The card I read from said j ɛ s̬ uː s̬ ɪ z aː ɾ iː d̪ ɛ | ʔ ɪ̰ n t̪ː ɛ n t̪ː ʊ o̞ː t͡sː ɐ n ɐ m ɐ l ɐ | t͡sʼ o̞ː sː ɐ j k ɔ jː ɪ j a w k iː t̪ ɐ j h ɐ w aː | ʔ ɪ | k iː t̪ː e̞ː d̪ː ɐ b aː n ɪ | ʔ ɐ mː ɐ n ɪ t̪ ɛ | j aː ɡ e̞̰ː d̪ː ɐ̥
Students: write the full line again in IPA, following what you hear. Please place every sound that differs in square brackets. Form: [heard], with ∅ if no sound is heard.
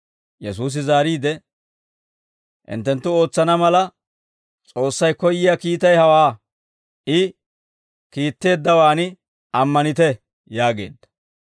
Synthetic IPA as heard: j ɛ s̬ uː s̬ ɪ z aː ɾ iː d̪ ɛ | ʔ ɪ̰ n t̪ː ɛ n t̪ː ʊ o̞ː t͡sː ɐ n ɐ m ɐ l ɐ | t͡sʼ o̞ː sː ɐ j k ɔ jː ɪ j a [∅] k iː t̪ ɐ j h ɐ w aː | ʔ ɪ | k iː t̪ː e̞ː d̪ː ɐ [w] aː n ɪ | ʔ ɐ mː ɐ n ɪ t̪ ɛ | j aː ɡ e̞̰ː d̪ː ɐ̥

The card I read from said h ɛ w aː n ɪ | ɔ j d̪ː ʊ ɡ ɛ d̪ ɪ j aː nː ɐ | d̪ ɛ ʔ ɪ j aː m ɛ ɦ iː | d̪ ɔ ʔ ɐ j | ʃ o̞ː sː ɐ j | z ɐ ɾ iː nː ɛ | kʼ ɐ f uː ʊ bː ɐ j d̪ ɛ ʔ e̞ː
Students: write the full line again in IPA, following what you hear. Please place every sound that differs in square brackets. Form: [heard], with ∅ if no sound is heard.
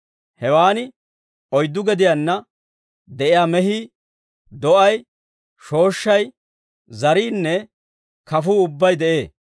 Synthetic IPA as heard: h ɛ w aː n ɪ | ɔ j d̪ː ʊ ɡ ɛ d̪ ɪ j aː nː ɐ | d̪ ɛ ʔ ɪ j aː m ɛ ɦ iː | d̪ ɔ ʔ ɐ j | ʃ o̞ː [ʃː] ɐ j | z ɐ ɾ iː nː ɛ | [k] ɐ f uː ʊ bː ɐ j d̪ ɛ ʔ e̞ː

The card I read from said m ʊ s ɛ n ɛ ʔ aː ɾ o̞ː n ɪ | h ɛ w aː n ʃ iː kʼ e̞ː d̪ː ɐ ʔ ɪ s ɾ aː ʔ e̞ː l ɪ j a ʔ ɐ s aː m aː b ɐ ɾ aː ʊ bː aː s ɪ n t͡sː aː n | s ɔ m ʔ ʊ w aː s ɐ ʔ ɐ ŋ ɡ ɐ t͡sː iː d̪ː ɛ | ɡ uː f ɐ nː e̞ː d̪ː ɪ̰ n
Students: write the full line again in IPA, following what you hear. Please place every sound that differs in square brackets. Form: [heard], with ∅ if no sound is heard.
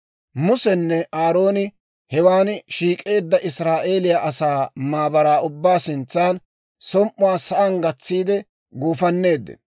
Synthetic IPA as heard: m ʊ s ɛ [nː] ɛ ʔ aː ɾ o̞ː n ɪ | h ɛ w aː n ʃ iː kʼ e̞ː d̪ː ɐ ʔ ɪ s ɾ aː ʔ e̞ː l ɪ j a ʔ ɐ s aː m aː b ɐ ɾ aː ʊ bː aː s ɪ n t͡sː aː n | s ɔ m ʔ ʊ w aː s ɐ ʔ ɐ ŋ ɡ ɐ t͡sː iː [d̪] ɛ | ɡ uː f ɐ nː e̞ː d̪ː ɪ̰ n

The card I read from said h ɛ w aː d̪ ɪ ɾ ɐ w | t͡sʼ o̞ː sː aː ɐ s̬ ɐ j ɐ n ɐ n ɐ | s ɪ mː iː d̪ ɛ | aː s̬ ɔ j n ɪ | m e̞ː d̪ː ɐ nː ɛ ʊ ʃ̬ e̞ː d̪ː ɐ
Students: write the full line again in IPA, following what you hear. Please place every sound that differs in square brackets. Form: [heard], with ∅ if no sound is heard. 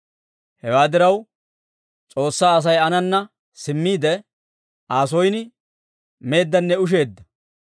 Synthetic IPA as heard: h ɛ w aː d̪ ɪ ɾ ɐ w | t͡sʼ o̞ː sː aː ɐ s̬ ɐ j ɐ n ɐ [nː] ɐ | s ɪ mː iː d̪ ɛ | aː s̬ ɔ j n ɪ | m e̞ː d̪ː ɐ nː ɛ ʊ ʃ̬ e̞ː d̪ː ɐ

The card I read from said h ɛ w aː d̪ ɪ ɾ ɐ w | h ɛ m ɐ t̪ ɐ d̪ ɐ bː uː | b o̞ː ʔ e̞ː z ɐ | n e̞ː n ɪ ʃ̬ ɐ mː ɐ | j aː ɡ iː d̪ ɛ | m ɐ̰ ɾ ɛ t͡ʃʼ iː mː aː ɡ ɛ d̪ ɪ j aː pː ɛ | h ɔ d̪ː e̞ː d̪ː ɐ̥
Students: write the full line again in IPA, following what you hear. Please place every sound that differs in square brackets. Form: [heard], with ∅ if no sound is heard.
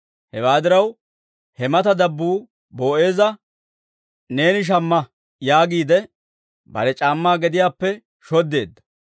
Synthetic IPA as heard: h ɛ w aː d̪ ɪ ɾ ɐ w | h ɛ m ɐ t̪ ɐ d̪ ɐ bː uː | b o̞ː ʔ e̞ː z ɐ | n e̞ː n ɪ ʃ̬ ɐ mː ɐ | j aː ɡ iː d̪ ɛ | [b] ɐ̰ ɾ ɛ t͡ʃʼ [aː] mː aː ɡ ɛ d̪ ɪ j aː pː ɛ | [ʃ] ɔ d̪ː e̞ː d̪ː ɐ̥

